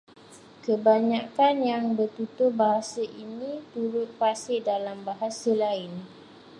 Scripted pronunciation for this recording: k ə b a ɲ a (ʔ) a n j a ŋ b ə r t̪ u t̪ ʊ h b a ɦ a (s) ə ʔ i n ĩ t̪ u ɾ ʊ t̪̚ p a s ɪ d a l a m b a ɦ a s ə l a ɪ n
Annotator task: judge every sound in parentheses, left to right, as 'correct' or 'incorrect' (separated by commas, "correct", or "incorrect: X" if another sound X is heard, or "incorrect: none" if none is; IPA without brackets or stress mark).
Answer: incorrect: k, correct